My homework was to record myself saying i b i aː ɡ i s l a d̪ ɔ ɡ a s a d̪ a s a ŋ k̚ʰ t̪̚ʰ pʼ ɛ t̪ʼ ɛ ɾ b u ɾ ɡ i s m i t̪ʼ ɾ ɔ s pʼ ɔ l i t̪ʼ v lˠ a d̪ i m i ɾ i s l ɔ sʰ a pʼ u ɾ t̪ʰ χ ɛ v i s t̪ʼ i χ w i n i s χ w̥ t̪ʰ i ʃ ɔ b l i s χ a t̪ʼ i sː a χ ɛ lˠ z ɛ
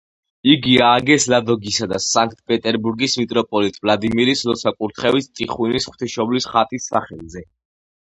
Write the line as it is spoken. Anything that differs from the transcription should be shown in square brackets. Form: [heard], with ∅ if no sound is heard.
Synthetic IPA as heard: i [ɡ] i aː ɡ [ɛ] s l a d̪ ɔ ɡ [i] s a d̪ a s a ŋ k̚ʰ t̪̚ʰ pʼ ɛ t̪ʼ ɛ ɾ b u ɾ ɡ i s m i t̪ʼ ɾ ɔ [∅] pʼ ɔ l i t̪ʼ v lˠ a d̪ i m i ɾ i s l ɔ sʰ a [kʼ] u ɾ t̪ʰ χ ɛ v i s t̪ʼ i χ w i n i s χ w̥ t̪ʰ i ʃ ɔ b l i s χ a t̪ʼ i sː a χ ɛ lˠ z ɛ